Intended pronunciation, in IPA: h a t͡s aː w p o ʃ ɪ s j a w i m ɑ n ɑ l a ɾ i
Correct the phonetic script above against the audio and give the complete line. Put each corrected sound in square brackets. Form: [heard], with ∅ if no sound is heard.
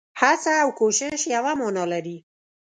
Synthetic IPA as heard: h a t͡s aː w [k] o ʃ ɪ [ʃ] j a w [a] m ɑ n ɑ l a ɾ i